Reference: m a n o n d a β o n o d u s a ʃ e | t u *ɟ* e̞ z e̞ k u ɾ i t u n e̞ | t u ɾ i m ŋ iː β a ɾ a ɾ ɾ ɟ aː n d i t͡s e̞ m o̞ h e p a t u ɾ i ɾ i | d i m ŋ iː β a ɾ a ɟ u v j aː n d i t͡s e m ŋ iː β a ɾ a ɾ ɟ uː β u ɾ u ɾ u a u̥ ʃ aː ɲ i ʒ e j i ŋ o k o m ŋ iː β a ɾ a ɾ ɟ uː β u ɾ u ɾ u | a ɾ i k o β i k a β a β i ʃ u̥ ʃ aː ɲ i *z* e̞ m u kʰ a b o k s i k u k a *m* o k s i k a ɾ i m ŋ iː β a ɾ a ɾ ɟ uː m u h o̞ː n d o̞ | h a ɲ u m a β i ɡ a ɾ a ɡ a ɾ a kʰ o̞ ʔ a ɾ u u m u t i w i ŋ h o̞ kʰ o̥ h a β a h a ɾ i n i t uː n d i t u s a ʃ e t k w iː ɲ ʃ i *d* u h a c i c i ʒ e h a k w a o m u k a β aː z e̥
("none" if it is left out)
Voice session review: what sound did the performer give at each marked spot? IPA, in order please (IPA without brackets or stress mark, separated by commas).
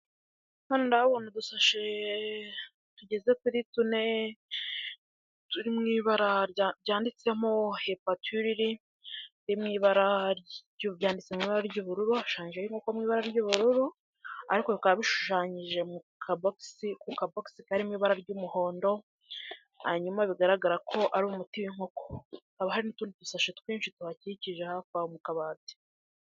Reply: ɟ, ʒ, b, t